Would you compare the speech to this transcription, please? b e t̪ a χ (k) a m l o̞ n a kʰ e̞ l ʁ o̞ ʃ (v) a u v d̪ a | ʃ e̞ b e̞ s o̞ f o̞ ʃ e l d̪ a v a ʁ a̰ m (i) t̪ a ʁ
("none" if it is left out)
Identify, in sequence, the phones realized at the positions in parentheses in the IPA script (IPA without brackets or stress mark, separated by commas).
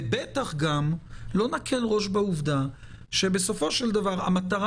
ɡ, b, a